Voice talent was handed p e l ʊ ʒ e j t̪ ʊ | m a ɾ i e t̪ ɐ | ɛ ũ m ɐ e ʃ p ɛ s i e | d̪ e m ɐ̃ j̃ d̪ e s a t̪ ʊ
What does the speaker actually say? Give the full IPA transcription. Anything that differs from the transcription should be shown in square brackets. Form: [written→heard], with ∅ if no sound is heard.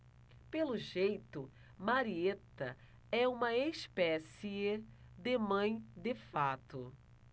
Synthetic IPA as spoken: p e l ʊ ʒ e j t̪ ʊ | m a ɾ i e t̪ ɐ | ɛ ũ m ɐ e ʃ p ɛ s i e | d̪ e m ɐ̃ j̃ d̪ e [s→f] a t̪ ʊ